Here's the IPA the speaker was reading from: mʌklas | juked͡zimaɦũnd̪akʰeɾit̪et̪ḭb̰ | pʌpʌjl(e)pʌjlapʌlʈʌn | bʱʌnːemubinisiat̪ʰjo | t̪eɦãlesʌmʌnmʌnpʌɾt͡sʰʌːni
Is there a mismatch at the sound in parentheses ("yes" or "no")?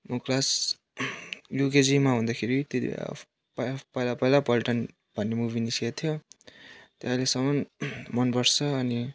yes